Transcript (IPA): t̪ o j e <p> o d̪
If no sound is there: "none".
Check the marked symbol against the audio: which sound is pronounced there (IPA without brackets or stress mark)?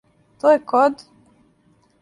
k